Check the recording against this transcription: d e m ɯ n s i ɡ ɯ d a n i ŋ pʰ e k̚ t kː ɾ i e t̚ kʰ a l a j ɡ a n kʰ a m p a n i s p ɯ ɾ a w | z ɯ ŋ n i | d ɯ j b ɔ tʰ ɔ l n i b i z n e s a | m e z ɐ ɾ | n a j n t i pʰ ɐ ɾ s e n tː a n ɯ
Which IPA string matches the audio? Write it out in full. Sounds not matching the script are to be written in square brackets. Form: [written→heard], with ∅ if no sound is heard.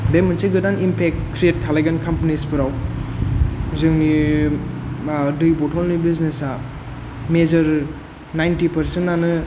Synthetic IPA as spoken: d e m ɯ n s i ɡ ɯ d a n i [ŋ→m] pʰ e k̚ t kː ɾ i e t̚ kʰ a l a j ɡ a n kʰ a m p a n i s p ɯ ɾ a w | z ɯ ŋ n i | d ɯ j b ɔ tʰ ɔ l n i b i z n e s a | m e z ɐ ɾ | n a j n t i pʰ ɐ ɾ s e n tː a n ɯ